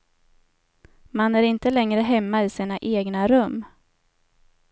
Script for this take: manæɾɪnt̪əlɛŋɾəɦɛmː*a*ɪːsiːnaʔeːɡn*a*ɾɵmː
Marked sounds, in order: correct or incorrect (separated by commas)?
correct, correct